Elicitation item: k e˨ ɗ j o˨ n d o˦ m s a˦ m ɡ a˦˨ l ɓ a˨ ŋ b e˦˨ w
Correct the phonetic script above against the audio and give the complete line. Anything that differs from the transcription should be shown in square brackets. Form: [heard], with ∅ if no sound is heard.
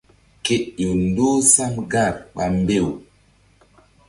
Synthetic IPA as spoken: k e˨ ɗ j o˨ n d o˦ [∅] s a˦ m ɡ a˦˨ [ɾ] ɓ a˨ [m] b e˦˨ w